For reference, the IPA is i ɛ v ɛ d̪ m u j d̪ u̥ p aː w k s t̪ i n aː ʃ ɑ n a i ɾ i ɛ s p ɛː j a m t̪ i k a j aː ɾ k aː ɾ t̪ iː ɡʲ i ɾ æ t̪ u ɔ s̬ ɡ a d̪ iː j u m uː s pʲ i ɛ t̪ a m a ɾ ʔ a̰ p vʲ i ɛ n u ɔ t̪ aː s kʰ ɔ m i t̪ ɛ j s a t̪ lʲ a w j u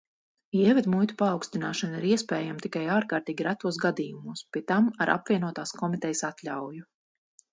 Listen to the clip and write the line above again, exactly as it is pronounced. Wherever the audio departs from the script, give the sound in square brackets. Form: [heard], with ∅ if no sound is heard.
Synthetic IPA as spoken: i ɛ v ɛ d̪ m u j [t̪] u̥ p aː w k s t̪ i n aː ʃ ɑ n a i ɾ i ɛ s p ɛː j a m t̪ i k a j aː ɾ k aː ɾ t̪ iː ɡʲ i ɾ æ t̪ u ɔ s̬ ɡ a d̪ iː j u m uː s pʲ i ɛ t̪ a m a ɾ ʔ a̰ p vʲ i ɛ n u ɔ t̪ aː s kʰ ɔ m i t̪ ɛ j s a t̪ lʲ a w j u